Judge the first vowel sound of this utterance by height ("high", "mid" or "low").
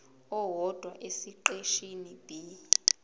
mid